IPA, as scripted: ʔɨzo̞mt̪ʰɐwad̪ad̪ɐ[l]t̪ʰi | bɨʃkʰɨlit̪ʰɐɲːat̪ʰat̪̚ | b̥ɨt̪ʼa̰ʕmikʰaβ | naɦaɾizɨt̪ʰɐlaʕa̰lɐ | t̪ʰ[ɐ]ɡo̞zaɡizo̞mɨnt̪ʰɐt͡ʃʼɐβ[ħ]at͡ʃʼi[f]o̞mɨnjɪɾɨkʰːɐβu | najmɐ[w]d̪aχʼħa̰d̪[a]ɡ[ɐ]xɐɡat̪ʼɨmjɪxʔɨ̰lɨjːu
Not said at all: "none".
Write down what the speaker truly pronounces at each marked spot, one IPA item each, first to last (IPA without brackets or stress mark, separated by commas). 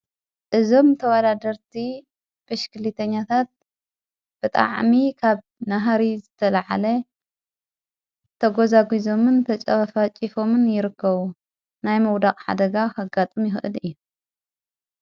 ɾ, ɐ, f, f, w, ɐ, a